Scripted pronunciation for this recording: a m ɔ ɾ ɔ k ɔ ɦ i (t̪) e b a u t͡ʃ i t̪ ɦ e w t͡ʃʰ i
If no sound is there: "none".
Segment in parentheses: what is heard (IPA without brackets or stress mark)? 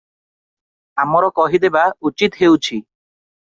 d̪